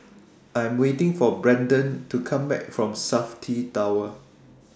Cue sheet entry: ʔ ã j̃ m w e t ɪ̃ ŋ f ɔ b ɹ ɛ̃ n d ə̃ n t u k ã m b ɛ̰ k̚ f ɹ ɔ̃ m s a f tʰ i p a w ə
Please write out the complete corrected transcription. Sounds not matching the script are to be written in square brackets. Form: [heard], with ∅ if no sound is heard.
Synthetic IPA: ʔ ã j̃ m w e t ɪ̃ ŋ f ɔ b ɹ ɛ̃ n d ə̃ n t u [kʰ] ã m b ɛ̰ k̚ f ɹ ɔ̃ m s a f tʰ i [t] a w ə